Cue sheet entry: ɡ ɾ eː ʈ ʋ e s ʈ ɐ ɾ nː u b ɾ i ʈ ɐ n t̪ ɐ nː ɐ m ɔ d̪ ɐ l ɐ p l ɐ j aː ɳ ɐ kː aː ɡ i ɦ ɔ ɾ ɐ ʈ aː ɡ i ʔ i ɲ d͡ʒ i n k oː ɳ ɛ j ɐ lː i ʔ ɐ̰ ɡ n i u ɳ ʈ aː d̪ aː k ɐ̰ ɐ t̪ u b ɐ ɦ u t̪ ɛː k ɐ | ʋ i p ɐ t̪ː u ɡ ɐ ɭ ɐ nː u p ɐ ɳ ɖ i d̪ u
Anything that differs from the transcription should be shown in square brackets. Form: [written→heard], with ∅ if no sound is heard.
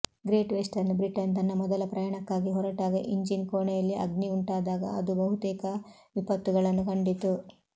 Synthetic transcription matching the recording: ɡ ɾ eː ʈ ʋ e s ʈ ɐ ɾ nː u b ɾ i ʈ ɐ n t̪ ɐ nː ɐ m ɔ d̪ ɐ l ɐ p [l→ɾ] ɐ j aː ɳ ɐ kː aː ɡ i ɦ ɔ ɾ ɐ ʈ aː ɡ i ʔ i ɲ d͡ʒ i n k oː ɳ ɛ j ɐ lː i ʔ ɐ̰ ɡ n i u ɳ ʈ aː d̪ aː [k→ɡ] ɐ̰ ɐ [t̪→d̪] u b ɐ ɦ u t̪ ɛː k ɐ | ʋ i p ɐ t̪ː u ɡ ɐ ɭ ɐ nː u [p→k] ɐ ɳ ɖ i [d̪→t̪] u